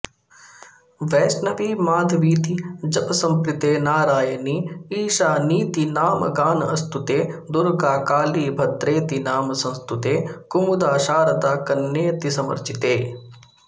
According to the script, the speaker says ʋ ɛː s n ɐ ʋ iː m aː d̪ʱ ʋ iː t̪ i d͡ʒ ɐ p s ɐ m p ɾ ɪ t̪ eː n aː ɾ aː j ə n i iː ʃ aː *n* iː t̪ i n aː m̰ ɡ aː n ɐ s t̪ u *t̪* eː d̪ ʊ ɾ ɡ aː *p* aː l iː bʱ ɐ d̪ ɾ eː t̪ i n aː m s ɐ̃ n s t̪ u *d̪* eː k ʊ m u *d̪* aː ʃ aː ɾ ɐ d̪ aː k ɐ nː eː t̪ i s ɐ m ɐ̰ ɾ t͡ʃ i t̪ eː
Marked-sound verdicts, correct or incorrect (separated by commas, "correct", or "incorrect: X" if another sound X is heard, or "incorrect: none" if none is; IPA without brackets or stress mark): correct, correct, incorrect: k, incorrect: t̪, correct